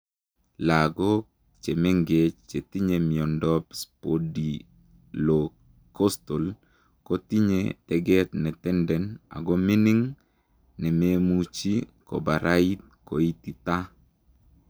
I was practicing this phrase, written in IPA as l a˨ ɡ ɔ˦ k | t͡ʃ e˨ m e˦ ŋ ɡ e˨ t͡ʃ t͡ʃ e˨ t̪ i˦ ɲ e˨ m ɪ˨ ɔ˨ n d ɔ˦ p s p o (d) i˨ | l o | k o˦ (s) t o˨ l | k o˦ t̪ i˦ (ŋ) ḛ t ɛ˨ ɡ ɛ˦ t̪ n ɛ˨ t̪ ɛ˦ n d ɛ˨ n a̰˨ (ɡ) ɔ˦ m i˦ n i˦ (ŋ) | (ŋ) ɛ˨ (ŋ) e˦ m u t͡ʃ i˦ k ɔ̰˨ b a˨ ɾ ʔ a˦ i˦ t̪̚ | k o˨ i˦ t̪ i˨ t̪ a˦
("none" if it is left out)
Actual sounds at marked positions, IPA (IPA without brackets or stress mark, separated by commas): d, s, ɲ, ɡ, ŋ, n, m